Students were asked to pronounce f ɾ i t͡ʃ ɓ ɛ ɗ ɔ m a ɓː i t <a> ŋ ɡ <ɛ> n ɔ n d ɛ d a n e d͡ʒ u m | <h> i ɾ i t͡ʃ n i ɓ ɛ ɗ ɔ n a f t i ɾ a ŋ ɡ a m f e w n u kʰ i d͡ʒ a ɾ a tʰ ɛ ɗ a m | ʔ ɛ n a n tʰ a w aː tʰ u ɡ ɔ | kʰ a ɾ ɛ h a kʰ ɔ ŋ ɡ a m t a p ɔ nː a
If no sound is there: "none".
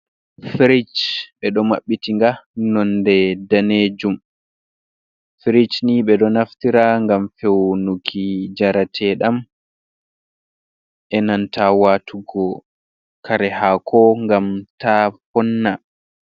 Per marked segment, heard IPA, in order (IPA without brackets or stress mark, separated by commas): i, a, f